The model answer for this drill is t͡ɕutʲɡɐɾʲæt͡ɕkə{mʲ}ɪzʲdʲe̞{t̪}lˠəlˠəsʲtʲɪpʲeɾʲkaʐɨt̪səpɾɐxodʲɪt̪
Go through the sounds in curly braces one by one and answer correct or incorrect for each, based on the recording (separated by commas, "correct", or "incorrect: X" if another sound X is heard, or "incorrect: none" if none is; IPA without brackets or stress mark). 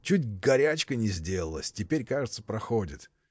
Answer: incorrect: nʲ, incorrect: none